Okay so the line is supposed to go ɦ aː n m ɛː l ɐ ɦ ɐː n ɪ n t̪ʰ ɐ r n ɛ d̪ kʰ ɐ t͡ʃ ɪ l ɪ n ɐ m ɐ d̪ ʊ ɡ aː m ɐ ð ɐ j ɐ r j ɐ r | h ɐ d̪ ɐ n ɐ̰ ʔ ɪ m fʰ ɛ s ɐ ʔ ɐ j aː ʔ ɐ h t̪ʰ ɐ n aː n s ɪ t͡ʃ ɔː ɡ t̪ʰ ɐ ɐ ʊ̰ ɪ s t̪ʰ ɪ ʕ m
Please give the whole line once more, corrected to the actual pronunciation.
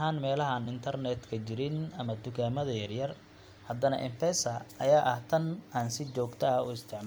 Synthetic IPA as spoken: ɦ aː n m ɛː l ɐ ɦ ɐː n ɪ n t̪ʰ ɐ r n ɛ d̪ kʰ ɐ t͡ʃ ɪ ɾ ɪ n ɐ m ɐ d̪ ʊ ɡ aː m ɐ ð ɐ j ɐ r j ɐ r | h ɐ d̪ ɐ n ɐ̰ ʔ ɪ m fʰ ɛ s ɐ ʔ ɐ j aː ʔ ɐ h t̪ʰ ɐ n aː n s ɪ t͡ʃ ɔː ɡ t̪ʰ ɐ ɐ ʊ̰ ɪ s t̪ʰ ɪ ʕ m